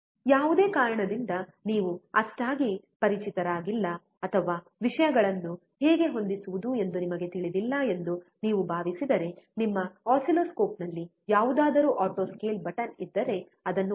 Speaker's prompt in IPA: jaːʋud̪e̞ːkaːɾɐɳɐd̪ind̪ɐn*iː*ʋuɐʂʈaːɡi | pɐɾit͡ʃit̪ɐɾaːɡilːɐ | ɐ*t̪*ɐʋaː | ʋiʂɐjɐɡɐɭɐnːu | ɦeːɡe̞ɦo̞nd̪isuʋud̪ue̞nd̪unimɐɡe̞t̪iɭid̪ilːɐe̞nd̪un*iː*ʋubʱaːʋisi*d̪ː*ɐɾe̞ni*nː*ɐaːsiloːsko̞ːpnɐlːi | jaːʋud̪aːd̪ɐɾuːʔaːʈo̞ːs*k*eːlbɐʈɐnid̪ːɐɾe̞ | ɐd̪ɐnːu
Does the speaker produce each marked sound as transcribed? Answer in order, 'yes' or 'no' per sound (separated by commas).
yes, no, yes, no, no, yes